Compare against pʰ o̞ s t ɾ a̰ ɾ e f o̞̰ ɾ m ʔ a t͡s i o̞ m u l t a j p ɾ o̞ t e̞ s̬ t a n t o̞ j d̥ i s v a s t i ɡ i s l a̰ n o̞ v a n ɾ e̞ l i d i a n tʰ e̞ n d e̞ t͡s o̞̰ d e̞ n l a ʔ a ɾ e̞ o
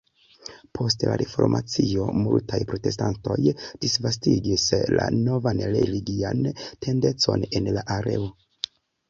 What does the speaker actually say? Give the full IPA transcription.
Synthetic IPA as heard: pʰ o̞ s t l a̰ ɾ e f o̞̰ ɾ m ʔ a t͡s i o̞ m u l t a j p ɾ o̞ t e̞ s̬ t a n t o̞ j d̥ i s v a s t i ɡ i s l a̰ n o̞ v a n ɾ e̞ l i ɡ i a n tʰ e̞ n d e̞ t͡s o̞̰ n e̞ n l a ʔ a ɾ e̞ o

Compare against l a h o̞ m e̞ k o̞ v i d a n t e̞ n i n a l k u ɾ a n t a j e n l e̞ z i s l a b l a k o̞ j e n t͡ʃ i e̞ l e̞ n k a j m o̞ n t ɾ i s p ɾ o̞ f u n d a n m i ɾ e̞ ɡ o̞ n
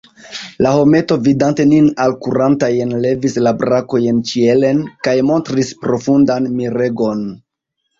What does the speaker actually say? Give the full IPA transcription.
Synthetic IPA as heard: l a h o̞ m e̞ t o̞ v i d a n t e̞ n i n a l k u ɾ a n t a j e n l e̞ v i s l a b ɾ a k o̞ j e n t͡ʃ i e̞ l e̞ n k a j m o̞ n t ɾ i s p ɾ o̞ f u n d a n m i ɾ e̞ ɡ o̞ n

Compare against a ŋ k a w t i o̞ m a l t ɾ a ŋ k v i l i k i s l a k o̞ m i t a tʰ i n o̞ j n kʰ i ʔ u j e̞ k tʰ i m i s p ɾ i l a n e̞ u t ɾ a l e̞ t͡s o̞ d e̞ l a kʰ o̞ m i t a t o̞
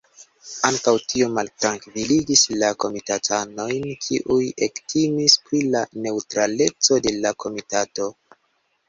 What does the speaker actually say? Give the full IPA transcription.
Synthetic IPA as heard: a ŋ k a w t i o̞ m a l t ɾ a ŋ k v i l i ɡ i s l a k o̞ m i t a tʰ a n o̞ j n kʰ i ʔ u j e̞ k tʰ i m i s p ɾ i l a n e̞ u t ɾ a l e̞ t͡s o̞ d e̞ l a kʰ o̞ m i t a t o̞

